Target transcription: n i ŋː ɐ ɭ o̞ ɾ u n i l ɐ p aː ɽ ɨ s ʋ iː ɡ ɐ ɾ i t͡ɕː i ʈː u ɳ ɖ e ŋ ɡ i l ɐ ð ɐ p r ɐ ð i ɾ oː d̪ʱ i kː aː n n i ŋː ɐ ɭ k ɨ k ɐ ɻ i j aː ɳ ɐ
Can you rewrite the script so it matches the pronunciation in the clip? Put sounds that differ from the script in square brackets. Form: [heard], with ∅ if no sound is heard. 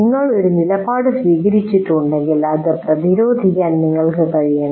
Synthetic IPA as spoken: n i ŋː ɐ ɭ o̞ ɾ u n i l ɐ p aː ɽ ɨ s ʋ iː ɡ ɐ ɾ i t͡ɕː i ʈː u ɳ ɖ e ŋ ɡ i l ɐ ð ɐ p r ɐ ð i ɾ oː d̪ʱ i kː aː n n i ŋː ɐ ɭ k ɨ k ɐ ɻ i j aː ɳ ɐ